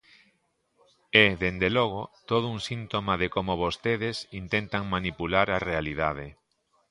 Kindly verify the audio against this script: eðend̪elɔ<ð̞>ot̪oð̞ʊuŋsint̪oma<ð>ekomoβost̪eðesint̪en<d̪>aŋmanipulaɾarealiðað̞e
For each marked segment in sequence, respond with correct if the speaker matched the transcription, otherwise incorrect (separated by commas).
incorrect, correct, incorrect